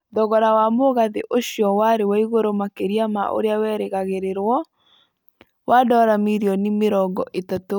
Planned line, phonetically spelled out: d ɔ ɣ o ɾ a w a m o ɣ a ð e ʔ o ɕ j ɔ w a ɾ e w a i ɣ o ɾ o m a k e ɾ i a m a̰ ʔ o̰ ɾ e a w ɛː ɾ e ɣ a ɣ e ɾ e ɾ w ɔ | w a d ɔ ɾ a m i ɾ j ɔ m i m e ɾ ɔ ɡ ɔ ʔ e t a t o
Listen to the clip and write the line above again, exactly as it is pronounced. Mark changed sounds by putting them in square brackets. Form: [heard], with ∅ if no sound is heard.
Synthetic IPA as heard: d ɔ ɣ [ɔ] ɾ a w a m o ɣ a ð e ʔ o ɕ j ɔ w a ɾ e w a i ɣ o ɾ o m a k e ɾ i a m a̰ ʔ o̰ ɾ e a w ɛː ɾ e ɣ a ɣ e ɾ e ɾ w ɔ | w a d ɔ ɾ a m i ɾ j ɔ [n] i m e ɾ ɔ ɡ ɔ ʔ e t a t o